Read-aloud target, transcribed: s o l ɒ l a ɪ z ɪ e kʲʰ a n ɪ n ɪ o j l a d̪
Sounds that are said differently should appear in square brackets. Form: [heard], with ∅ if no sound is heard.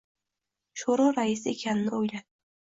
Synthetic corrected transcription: [ʃ] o [ɾ] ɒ [ɾ] a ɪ [s] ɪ e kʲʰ a n ɪ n ɪ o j l a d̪